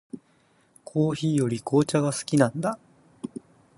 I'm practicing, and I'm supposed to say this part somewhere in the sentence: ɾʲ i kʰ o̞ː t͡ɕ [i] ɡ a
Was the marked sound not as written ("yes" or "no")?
yes